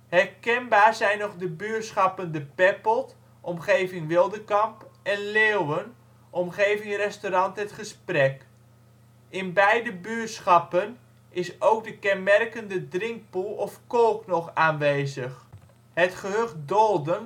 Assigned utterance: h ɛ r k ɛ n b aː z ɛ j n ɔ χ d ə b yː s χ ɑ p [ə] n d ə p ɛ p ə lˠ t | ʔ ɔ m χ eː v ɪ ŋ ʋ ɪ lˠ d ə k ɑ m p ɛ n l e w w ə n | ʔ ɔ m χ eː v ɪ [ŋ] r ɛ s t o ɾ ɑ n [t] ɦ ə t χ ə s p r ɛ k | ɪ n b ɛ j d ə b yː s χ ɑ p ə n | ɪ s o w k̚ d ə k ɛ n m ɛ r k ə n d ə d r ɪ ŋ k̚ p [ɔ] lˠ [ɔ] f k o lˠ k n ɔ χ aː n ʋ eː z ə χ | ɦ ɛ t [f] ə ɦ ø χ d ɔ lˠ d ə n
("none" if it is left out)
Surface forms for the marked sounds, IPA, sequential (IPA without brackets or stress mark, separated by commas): ə, ŋ, t, u, ɔ, χ